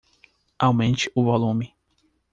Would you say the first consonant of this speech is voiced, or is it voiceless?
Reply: voiced